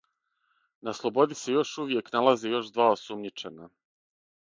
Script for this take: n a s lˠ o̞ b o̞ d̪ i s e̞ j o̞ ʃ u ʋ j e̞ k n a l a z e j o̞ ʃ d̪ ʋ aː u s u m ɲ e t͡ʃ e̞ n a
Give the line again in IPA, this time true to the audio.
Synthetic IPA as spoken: n a s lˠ o̞ b o̞ d̪ i s e̞ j o̞ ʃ u ʋ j e̞ k n a l a z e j o̞ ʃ d̪ ʋ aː o s u m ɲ i t͡ʃ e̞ n a